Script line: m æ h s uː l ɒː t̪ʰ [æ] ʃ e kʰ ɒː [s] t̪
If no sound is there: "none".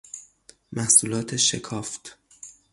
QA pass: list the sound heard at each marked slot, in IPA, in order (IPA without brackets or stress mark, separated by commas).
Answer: e, f